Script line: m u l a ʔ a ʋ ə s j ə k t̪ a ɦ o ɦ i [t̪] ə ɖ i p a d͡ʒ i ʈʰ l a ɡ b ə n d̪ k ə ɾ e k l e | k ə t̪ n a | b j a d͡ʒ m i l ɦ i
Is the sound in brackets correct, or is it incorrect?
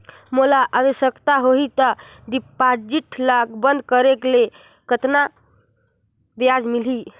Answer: correct